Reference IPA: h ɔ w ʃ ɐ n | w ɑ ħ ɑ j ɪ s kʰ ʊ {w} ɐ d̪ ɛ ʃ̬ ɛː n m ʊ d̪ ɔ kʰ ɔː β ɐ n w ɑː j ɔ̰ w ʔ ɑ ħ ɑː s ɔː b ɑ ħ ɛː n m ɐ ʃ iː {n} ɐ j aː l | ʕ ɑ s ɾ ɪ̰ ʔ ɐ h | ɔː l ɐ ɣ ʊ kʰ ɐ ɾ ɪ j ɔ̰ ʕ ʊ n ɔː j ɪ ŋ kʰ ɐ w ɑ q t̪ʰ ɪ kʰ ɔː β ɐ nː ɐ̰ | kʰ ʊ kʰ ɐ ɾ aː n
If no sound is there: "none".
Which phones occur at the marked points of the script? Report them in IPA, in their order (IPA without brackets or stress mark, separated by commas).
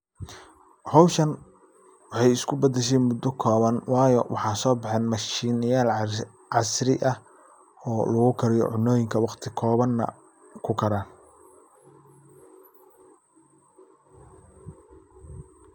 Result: b, n